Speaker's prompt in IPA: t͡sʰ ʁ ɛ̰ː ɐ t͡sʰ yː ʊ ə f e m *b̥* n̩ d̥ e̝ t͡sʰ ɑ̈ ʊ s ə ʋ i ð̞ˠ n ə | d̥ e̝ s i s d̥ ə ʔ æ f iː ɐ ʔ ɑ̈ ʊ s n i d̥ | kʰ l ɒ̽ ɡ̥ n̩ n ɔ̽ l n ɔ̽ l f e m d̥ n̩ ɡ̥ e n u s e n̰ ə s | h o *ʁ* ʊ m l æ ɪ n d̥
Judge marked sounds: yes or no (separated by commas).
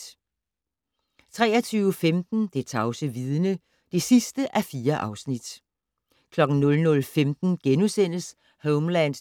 no, no